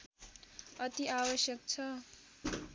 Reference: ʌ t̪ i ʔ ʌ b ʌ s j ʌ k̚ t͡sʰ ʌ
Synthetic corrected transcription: ʌ t̪ i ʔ a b ʌ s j ʌ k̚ t͡sʰ ʌ